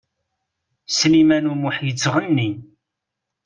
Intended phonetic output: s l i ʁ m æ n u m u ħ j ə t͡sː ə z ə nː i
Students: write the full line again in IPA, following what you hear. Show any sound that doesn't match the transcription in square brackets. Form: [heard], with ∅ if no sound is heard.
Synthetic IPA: s l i [∅] m æ n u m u ħ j ə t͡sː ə [ʁ] ə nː i